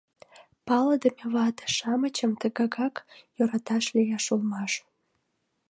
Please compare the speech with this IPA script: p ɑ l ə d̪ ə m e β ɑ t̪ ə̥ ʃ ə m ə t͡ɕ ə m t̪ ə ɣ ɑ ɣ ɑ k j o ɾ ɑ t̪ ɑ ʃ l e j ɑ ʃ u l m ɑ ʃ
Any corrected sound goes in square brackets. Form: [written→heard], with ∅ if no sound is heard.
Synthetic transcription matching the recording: p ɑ l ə d̪ ə m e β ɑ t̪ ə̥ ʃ [ə→ɑ] m ə t͡ɕ ə m t̪ ə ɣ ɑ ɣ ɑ k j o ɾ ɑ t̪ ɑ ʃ l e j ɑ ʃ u l m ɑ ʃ